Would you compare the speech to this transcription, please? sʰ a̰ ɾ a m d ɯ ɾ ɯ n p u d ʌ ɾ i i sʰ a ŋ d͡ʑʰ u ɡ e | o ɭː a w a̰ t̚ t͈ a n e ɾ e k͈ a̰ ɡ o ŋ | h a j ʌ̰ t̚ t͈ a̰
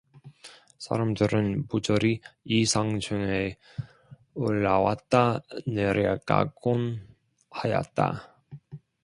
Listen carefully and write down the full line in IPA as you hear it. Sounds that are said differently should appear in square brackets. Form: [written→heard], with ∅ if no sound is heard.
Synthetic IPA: sʰ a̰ ɾ a m d ɯ ɾ ɯ n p u [d→d͡ʑ] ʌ ɾ i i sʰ a ŋ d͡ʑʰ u [ɡ→ŋ] e | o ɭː a w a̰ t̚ t͈ a n e ɾ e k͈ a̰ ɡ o [ŋ→n] | h a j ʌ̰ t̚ t͈ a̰